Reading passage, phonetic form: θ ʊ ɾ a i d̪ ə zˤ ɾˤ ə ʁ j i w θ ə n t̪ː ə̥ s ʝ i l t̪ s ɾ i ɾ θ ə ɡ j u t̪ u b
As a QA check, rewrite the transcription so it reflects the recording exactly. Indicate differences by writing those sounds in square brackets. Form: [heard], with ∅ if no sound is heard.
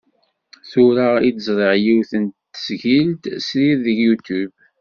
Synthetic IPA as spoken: θ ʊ ɾ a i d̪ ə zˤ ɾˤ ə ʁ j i w θ ə n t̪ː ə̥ s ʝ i l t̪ s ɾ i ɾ [ð] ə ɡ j u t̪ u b